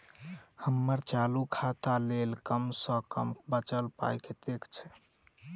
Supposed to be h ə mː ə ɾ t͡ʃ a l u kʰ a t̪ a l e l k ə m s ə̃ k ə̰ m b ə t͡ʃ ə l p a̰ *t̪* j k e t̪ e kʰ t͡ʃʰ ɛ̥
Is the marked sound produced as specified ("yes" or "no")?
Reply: no